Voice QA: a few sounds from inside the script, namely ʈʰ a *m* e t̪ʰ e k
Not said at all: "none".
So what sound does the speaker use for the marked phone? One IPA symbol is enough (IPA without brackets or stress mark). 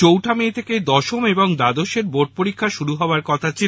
m